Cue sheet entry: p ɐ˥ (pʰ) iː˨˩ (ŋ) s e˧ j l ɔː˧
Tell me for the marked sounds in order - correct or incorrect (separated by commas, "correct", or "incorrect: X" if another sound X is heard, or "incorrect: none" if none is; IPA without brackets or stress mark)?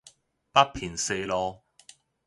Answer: correct, incorrect: n